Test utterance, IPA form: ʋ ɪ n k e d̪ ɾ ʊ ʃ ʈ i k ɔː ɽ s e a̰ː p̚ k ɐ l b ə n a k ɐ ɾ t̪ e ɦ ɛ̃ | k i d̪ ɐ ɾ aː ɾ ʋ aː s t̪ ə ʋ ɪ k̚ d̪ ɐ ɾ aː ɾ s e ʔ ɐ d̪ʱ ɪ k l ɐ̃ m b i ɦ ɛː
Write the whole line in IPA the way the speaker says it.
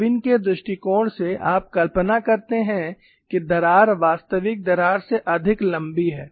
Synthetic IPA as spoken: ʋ ɪ n k e d̪ ɾ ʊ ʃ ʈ i k ɔː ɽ s e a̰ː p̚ k ɐ l p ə n a k ɐ ɾ t̪ e ɦ ɛ̃ | k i d̪ ɐ ɾ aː ɾ ʋ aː s t̪ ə ʋ ɪ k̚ d̪ ɐ ɾ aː ɾ s e ʔ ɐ d̪ʱ ɪ k l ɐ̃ m b i ɦ ɛː